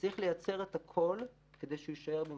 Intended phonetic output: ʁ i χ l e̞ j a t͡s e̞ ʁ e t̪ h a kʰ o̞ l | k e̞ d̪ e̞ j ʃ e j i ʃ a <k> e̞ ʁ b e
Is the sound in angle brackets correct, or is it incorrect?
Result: incorrect